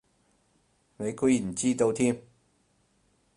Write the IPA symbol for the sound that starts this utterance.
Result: n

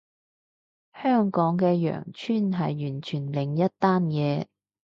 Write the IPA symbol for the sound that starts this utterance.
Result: h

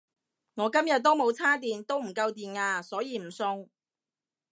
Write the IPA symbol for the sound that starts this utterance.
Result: ŋ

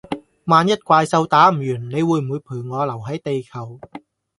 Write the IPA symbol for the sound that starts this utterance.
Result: m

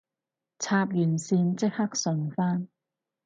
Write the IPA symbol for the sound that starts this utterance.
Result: t͡sʰ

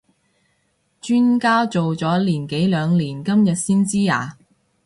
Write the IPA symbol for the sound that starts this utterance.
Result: t͡ʃ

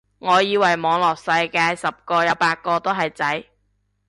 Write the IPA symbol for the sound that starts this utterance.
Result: ŋ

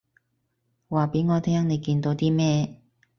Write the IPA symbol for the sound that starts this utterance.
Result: w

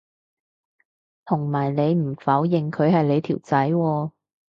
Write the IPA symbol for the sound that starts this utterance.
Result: t̪ʰ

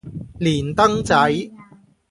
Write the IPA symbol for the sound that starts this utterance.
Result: l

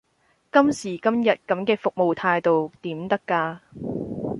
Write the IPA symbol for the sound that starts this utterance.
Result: k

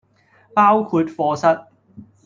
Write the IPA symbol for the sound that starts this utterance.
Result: p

